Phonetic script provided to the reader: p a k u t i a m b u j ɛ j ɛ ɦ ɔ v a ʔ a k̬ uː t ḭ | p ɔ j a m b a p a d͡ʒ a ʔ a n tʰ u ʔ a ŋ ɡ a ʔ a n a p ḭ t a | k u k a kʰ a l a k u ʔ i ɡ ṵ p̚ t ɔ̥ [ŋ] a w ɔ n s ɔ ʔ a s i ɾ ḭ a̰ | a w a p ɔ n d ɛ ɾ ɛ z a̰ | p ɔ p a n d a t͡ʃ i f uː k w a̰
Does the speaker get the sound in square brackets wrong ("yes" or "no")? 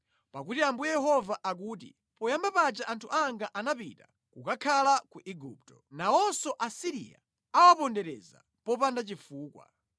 yes